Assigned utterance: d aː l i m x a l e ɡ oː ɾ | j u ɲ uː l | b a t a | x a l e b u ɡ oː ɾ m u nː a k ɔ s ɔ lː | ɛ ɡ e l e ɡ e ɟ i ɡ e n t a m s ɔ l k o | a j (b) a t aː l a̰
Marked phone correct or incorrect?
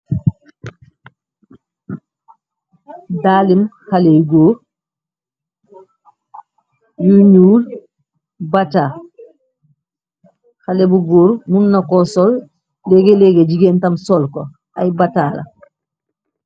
correct